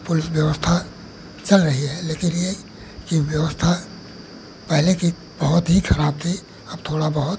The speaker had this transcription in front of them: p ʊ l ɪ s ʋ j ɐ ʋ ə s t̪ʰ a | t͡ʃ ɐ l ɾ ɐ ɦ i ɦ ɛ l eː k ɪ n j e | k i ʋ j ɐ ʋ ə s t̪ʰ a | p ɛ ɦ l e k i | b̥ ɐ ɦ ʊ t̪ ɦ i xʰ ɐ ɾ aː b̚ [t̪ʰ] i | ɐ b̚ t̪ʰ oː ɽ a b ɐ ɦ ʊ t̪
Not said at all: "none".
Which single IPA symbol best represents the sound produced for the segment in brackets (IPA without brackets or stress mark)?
t̪ʰ